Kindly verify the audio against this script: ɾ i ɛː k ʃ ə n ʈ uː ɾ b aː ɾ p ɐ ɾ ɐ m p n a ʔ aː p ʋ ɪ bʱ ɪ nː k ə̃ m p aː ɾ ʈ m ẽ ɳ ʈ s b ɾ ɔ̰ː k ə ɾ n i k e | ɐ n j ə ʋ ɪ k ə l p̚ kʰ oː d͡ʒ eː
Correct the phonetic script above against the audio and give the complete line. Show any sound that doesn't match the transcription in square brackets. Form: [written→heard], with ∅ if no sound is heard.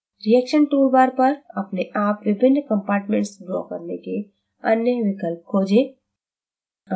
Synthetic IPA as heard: ɾ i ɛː k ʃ ə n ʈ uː ɾ b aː ɾ p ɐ ɾ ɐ [m→∅] p n [a→e] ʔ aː p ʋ ɪ bʱ ɪ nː k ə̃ m p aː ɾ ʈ m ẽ ɳ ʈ s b ɾ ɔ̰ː k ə ɾ n [i→e] k e | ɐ n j ə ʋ ɪ k ə l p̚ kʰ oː d͡ʒ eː